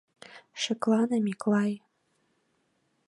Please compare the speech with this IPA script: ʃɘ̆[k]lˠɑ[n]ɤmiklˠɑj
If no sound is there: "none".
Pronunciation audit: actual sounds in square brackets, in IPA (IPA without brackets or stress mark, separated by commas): k, n